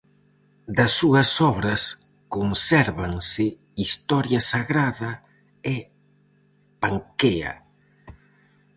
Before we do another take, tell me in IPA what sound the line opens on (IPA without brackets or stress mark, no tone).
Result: d̪